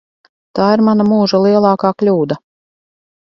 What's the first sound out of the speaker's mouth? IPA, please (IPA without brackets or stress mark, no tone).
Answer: t̪